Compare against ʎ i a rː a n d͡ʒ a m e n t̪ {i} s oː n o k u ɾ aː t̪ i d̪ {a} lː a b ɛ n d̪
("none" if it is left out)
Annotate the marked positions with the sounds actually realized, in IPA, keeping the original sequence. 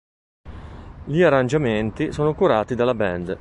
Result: i, a

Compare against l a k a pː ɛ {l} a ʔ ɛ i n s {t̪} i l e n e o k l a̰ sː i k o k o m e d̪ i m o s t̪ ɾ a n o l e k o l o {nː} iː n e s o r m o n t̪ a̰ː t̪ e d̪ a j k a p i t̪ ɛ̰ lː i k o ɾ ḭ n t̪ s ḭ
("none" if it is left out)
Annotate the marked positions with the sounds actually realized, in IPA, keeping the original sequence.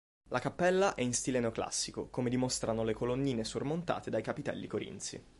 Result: lː, t̪, nː

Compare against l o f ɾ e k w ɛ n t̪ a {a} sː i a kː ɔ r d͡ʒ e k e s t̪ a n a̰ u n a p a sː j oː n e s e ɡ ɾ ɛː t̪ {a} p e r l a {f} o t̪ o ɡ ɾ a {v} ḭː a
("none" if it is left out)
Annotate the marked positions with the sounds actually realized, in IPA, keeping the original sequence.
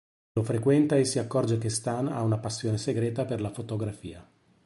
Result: e, a, f, f

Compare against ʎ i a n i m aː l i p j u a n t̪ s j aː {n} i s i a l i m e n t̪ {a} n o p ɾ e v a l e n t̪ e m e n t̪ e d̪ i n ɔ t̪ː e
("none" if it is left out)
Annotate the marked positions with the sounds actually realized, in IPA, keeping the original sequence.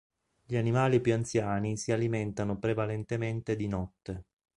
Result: n, a

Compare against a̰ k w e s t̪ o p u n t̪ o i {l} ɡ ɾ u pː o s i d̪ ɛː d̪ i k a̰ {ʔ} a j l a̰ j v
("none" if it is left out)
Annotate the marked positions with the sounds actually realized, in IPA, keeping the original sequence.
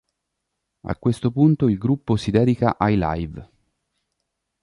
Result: l, ʔ

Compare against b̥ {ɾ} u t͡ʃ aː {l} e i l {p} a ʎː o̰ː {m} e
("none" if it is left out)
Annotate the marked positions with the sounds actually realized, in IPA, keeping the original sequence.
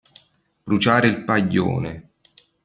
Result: ɾ, ɾ, p, n

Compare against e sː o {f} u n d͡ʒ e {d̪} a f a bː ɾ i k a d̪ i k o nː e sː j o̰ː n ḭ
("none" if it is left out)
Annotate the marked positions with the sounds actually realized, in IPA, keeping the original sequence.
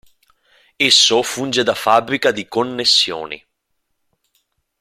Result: f, d̪

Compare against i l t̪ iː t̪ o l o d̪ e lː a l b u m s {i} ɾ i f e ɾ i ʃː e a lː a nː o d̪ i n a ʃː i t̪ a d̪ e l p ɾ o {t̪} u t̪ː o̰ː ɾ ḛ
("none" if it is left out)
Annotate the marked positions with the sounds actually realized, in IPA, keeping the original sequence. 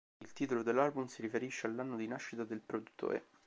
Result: i, d̪

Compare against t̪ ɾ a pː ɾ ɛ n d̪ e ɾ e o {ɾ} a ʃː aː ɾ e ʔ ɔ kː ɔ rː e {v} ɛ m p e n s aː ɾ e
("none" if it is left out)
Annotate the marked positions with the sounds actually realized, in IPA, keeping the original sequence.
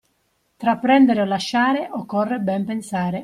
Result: l, b

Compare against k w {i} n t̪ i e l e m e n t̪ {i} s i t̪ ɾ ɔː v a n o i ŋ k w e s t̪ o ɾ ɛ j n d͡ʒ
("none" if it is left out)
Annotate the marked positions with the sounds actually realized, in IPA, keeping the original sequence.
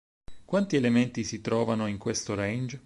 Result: a, i

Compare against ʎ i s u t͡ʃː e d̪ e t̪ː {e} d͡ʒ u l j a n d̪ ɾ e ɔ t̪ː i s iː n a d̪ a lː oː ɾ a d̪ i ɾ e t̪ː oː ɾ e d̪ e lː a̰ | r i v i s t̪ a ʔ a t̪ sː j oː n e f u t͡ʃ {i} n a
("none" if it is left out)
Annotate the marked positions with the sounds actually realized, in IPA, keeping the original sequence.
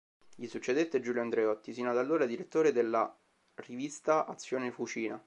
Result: e, iː

